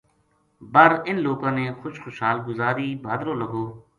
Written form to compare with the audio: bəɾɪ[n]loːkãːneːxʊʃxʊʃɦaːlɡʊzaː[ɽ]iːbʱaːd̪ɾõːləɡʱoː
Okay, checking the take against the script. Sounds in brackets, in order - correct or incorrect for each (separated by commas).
correct, incorrect